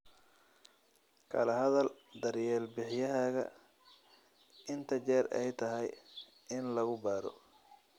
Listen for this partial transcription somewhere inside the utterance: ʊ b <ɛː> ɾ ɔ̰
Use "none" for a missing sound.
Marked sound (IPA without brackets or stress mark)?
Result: aː